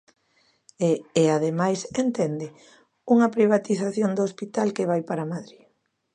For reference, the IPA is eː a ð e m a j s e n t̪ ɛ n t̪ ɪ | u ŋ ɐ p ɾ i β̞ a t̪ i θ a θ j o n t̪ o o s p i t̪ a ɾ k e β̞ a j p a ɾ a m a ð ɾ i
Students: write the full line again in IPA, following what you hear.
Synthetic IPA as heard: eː a ð e m a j s e n t̪ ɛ n d̪ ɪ | u ŋ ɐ p ɾ i β̞ a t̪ i θ a θ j o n d̪ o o s p i t̪ a l k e β̞ a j p a ɾ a m a ð ɾ i

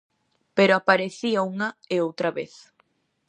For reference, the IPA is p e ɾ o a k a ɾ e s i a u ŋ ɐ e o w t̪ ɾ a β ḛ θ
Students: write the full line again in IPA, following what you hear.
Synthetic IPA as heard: p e ɾ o a p a ɾ e θ i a u ŋ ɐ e o w t̪ ɾ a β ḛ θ

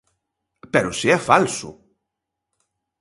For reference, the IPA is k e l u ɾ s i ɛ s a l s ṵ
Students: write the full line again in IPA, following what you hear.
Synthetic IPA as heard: p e ɾ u s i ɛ f a l s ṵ

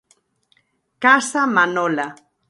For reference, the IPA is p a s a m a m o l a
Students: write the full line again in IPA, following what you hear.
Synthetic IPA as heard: k a s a m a n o l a

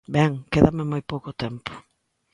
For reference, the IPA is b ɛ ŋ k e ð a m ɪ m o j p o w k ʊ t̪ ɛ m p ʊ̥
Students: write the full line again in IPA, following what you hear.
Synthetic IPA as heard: b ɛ ŋ k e ð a m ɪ m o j p o w k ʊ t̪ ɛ m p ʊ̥

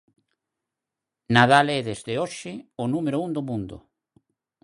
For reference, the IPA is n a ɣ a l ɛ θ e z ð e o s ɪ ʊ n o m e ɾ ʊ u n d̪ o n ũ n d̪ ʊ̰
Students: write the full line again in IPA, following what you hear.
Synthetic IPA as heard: n a ð a l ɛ ð e z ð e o ʃ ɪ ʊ n u m e ɾ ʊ u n d̪ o m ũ n d̪ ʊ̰

